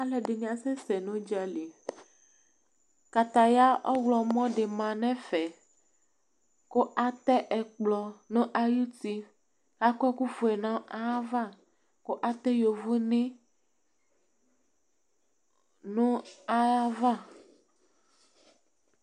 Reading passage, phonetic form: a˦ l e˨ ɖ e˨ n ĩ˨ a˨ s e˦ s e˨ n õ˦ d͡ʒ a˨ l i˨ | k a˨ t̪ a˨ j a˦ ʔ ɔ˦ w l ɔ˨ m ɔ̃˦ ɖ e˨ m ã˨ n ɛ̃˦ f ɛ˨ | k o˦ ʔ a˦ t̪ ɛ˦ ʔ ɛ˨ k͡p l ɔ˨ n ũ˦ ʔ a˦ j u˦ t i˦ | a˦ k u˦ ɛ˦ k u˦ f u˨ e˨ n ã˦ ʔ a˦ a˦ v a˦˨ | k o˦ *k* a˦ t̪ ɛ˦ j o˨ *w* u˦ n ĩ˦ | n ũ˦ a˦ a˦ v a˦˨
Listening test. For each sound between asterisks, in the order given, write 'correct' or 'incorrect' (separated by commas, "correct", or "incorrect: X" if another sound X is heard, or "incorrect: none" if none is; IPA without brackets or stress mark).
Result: incorrect: ʔ, incorrect: v